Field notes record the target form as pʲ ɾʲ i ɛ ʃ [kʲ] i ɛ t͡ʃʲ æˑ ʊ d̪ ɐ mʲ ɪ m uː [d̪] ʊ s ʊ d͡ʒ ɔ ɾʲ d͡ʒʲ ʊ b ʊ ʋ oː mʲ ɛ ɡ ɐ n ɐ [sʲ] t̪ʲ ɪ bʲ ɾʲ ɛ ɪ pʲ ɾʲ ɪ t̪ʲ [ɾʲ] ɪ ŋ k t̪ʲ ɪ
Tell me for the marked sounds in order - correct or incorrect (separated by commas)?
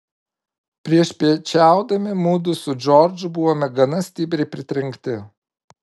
incorrect, correct, correct, correct